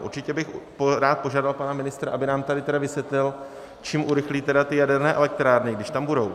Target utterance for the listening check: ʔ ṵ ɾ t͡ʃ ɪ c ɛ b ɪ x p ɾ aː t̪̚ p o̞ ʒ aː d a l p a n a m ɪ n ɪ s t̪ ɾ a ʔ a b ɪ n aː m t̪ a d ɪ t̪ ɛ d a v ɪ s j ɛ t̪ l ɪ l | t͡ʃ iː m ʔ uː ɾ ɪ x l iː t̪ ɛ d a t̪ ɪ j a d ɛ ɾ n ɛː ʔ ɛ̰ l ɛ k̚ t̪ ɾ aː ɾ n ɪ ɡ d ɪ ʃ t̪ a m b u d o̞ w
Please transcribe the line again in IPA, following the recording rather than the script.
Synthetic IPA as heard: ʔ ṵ ɾ t͡ʃ ɪ c ɛ b ɪ x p ɾ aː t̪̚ p o̞ ʒ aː d a l p a n a m ɪ n ɪ s t̪ ɾ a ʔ a b ɪ n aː m t̪ a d ɪ t̪ ɛ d a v ɪ s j ɛ t̪ l ɪ l | t͡ʃ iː m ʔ u ɾ ɪ x l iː t̪ ɛ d a t̪ ɪ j a d ɛ ɾ n ɛː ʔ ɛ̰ l ɛ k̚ t̪ ɾ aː ɾ n ɪ ɡ d ɪ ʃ t̪ a m b u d o̞ w